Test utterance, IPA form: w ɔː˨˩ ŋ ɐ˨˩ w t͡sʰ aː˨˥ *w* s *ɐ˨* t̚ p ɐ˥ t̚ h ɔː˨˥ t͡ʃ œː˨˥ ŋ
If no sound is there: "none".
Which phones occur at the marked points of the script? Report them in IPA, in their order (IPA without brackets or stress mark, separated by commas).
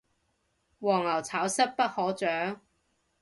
w, ɐ˥